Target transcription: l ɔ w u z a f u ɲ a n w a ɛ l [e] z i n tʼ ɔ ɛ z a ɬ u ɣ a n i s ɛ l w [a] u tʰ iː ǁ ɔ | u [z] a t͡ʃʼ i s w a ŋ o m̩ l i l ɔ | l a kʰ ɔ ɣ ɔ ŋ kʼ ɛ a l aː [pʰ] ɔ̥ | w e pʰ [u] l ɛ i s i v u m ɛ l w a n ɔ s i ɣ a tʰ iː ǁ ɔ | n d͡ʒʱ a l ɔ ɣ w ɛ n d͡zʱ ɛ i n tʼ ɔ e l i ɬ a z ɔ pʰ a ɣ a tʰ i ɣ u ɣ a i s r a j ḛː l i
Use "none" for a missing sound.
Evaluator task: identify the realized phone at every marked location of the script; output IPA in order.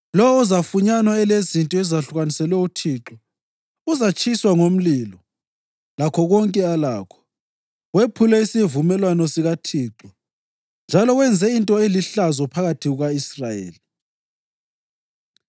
e, ɛ, z, kʰ, u

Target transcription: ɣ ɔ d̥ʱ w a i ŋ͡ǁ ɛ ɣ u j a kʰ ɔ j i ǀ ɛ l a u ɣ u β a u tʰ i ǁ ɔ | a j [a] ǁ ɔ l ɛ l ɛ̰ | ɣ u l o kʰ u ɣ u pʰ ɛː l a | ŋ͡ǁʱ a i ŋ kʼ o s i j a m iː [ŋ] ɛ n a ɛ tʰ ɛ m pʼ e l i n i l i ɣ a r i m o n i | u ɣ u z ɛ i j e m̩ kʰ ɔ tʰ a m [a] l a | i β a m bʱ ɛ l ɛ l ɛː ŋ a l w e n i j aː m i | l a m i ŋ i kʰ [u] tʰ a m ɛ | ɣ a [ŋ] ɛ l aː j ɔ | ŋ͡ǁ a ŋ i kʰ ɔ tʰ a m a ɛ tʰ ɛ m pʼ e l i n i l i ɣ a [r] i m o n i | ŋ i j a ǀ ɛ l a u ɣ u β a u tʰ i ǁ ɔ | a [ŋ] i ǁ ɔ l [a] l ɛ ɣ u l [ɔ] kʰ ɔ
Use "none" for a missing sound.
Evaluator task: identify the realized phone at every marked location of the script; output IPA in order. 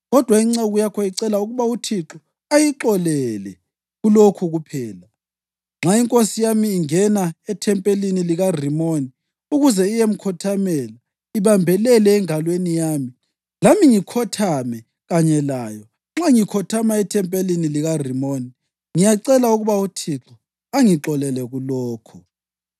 i, ŋ, ɛ, ɔ, ɲ, r, ŋ, ɛ, ɔː

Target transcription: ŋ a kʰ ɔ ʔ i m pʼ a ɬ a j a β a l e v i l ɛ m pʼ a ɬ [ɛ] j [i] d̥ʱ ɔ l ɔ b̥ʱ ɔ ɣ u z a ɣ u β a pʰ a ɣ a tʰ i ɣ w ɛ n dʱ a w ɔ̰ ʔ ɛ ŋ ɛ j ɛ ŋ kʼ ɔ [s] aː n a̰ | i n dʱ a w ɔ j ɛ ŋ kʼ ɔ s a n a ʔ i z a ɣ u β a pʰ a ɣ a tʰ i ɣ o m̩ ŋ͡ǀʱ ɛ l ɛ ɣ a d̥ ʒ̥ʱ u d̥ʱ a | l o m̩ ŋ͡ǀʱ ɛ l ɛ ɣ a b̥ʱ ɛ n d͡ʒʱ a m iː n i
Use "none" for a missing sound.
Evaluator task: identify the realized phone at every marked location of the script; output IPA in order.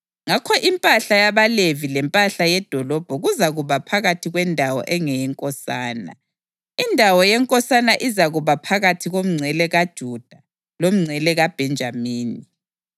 a, ɛ, s

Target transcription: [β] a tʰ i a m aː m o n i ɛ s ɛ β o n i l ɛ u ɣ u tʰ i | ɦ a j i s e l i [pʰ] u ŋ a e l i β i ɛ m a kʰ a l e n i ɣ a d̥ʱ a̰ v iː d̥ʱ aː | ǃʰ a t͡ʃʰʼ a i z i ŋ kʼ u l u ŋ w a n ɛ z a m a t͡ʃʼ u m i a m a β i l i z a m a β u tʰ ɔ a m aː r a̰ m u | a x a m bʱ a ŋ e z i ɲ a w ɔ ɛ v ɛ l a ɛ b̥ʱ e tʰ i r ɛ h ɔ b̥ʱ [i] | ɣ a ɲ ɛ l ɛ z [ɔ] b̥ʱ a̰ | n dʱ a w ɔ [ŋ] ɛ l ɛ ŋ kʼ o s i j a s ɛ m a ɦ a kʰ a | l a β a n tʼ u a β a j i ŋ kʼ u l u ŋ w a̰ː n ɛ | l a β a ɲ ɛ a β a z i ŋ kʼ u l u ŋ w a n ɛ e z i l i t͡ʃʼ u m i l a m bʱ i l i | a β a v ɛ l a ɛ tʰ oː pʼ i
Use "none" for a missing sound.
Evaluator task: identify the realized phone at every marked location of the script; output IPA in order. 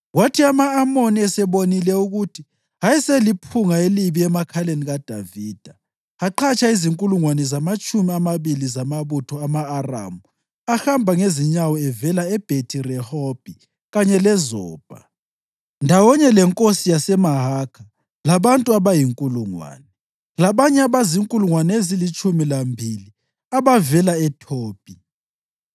w, pʰ, i, ɔː, ɲ

